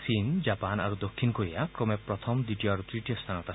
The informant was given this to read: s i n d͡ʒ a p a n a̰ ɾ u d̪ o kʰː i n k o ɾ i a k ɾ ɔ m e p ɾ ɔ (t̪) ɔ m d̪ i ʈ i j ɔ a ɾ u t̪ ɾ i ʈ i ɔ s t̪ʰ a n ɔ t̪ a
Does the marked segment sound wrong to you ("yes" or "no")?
yes